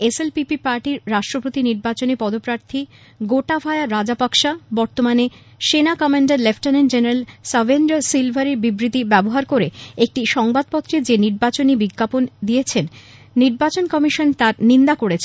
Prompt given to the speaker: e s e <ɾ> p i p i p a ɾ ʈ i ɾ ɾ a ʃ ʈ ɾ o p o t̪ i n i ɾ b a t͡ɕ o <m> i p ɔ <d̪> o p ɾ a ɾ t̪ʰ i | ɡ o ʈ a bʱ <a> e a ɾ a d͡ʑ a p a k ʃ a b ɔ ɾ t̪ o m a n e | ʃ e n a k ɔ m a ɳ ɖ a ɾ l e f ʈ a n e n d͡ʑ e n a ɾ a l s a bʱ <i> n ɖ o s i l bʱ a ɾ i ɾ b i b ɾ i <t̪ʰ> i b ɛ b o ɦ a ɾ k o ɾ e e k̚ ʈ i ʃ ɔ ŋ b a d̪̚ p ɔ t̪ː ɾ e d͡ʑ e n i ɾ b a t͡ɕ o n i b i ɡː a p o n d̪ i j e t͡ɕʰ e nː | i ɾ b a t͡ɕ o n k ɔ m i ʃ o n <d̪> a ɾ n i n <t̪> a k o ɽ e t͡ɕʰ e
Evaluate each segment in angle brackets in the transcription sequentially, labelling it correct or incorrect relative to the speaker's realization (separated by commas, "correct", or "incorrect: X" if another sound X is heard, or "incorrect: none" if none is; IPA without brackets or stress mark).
incorrect: l, incorrect: n, correct, correct, incorrect: e, incorrect: t̪, incorrect: t̪, incorrect: d̪